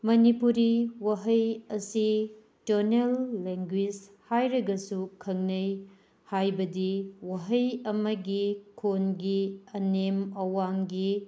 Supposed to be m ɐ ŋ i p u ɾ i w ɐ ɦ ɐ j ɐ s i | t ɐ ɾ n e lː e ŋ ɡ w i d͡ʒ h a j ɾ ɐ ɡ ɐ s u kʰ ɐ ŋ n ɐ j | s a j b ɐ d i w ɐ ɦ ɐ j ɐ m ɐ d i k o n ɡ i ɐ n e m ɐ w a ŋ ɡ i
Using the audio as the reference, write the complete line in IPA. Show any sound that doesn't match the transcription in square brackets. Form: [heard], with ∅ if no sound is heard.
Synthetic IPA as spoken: m ɐ [n] i p u ɾ i w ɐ ɦ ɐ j ɐ s i | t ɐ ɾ n e lː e ŋ ɡ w i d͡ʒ h a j ɾ ɐ ɡ ɐ s u kʰ ɐ ŋ n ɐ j | [h] a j b ɐ d i w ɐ ɦ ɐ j ɐ m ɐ [ɡ] i [kʰ] o n ɡ i ɐ n e m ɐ w a ŋ ɡ i